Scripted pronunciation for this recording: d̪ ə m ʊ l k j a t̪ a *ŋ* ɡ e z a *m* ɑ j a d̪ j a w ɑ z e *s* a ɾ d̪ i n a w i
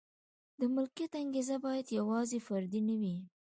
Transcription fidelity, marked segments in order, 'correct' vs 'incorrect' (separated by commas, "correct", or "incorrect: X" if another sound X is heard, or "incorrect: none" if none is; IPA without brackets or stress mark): correct, incorrect: b, incorrect: f